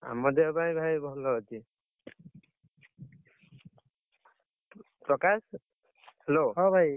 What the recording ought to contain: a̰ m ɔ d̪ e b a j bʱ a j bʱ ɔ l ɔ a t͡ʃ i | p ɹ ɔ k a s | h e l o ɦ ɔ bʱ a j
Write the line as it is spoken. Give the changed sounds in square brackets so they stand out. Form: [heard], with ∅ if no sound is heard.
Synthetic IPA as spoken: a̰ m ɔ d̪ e b a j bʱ a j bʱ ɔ l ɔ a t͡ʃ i | p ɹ ɔ k a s | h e l o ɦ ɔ bʱ a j